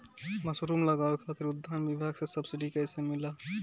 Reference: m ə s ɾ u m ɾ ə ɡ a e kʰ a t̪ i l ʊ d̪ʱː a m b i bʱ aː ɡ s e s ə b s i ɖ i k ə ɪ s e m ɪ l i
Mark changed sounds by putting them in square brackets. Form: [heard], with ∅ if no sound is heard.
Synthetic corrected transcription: m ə s ɾ u m [l] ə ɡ a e kʰ a t̪ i [ɾ] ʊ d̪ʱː a [n] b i bʱ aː ɡ s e s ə b s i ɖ i k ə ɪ s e m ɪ l [a]